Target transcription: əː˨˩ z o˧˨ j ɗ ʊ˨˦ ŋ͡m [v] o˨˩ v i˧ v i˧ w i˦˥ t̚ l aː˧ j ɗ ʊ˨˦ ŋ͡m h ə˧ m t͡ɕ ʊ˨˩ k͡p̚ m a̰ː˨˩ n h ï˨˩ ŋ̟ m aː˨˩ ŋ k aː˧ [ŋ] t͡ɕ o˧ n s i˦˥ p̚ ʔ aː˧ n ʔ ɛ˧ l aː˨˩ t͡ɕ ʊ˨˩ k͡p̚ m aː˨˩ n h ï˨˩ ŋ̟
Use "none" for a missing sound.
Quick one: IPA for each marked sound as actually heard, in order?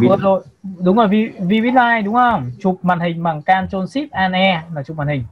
z, n

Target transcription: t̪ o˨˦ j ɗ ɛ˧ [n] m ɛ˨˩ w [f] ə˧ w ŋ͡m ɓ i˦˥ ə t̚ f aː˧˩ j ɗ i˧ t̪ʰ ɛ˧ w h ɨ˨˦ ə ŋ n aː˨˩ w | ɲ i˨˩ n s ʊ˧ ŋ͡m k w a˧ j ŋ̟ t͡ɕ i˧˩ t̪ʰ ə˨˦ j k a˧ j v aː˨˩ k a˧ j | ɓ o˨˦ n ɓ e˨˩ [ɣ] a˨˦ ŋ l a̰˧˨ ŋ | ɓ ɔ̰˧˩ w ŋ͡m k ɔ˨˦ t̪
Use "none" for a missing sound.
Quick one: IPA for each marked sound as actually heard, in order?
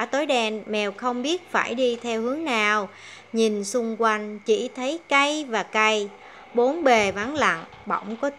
n, x, v

